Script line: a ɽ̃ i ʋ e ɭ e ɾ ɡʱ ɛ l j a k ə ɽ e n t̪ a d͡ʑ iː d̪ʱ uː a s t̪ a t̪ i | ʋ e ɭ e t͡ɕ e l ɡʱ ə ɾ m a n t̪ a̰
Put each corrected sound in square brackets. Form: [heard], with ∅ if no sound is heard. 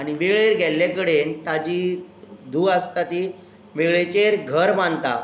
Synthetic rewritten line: a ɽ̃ i ʋ e ɭ e ɾ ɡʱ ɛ l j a k ə ɽ e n t̪ a d͡ʑ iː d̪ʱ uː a s t̪ a t̪ i | ʋ e ɭ e t͡ɕ e [ɾ] ɡʱ ə ɾ m a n t̪ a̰